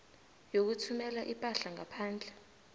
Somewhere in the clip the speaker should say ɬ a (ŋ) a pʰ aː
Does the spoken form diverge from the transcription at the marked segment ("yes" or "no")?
no